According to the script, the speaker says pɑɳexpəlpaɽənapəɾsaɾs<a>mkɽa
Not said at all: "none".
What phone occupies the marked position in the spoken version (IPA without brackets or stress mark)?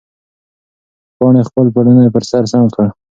a